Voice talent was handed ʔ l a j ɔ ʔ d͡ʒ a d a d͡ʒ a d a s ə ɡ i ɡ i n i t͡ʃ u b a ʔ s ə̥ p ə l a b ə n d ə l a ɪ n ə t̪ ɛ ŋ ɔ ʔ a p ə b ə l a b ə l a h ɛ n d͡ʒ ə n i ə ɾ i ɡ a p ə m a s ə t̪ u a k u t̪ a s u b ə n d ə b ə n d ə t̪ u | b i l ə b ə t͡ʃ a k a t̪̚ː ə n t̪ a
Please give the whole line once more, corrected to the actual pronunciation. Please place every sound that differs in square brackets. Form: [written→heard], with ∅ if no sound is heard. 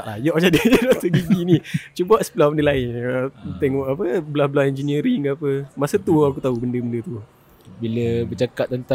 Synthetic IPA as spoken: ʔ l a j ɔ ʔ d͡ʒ a d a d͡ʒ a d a s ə ɡ i ɡ i n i t͡ʃ u b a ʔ s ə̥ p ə l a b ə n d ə l a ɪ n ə t̪ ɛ ŋ ɔ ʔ a p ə b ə l a b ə l a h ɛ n d͡ʒ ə n i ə ɾ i [ɡ→ŋ] a p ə m a s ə t̪ u a k u t̪ a [s→∅] u b ə n d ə b ə n d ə t̪ u | b i l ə b ə t͡ʃ a k a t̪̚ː ə n t̪ a